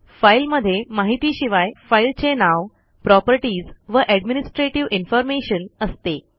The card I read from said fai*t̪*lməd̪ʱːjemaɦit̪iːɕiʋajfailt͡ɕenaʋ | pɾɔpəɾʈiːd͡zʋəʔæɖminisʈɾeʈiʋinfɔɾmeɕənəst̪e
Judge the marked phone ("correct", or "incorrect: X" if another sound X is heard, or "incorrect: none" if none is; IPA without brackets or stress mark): incorrect: none